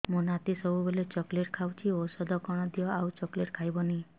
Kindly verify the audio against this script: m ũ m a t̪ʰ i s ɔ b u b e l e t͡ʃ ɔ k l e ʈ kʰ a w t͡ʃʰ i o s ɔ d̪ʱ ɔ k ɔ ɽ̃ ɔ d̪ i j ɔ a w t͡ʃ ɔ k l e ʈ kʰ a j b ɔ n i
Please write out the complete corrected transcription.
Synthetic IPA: m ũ n a t̪ i s ɔ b u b e l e t͡ʃ ɔ k l e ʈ kʰ a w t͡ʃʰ i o s ɔ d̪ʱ ɔ k ɔ ɽ̃ ɔ d̪ i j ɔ a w t͡ʃ ɔ k l e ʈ kʰ a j b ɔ n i